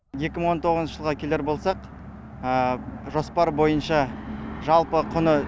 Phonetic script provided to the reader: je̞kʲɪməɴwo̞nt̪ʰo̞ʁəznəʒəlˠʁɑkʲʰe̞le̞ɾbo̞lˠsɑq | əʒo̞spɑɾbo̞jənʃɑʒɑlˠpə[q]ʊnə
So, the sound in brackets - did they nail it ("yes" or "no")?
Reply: no